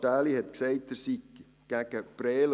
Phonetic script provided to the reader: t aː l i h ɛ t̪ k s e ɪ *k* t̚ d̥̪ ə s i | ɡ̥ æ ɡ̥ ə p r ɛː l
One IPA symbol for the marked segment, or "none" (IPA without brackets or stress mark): none